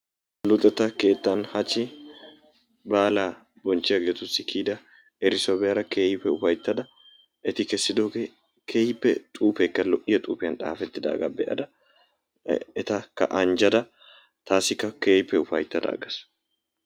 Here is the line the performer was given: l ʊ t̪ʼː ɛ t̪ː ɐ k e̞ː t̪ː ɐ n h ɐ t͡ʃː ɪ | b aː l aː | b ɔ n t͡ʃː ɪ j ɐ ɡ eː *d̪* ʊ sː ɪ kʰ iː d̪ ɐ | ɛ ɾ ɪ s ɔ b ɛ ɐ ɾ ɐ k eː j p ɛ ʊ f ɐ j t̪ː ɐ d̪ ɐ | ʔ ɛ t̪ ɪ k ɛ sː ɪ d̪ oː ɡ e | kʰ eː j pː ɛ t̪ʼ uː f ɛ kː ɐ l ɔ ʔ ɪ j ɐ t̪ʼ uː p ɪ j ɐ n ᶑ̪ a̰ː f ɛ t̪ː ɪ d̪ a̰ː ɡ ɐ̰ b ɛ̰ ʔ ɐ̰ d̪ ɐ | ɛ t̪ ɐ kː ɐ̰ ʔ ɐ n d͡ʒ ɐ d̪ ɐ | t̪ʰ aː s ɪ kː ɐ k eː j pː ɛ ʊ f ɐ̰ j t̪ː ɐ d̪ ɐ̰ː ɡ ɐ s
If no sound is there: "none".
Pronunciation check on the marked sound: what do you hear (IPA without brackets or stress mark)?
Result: t̪